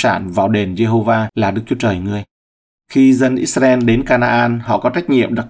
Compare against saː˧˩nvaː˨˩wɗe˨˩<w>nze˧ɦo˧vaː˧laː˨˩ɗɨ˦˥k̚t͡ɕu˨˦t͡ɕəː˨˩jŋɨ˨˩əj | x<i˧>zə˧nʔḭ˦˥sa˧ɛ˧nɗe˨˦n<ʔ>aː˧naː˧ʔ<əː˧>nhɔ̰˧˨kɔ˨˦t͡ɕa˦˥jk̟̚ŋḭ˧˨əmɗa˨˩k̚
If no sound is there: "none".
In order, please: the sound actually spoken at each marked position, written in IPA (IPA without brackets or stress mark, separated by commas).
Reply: none, i˧, k, aː˧